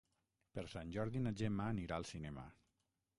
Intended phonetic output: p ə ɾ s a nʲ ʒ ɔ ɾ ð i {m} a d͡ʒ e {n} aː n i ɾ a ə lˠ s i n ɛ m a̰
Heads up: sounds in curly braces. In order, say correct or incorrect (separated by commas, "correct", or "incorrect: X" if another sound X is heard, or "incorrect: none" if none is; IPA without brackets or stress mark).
incorrect: n, incorrect: m